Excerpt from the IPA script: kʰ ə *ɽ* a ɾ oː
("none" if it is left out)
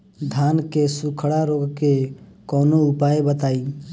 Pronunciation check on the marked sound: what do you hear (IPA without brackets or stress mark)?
ɽ